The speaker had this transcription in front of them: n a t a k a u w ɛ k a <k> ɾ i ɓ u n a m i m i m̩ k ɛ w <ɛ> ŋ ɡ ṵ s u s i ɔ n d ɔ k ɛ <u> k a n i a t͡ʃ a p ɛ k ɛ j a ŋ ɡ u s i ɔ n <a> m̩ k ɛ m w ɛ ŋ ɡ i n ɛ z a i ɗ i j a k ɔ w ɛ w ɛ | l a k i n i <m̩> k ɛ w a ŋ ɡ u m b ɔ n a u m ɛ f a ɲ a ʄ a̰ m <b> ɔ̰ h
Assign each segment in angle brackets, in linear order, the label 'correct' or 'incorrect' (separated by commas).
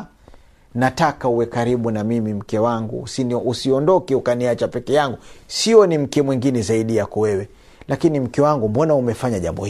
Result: incorrect, incorrect, correct, incorrect, correct, correct